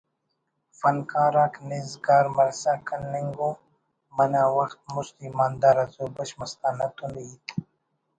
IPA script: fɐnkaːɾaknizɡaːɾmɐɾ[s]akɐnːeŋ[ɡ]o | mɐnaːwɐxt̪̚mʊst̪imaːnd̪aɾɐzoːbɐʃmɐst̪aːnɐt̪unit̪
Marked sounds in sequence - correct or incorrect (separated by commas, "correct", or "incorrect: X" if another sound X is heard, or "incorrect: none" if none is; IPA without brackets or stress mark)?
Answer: correct, correct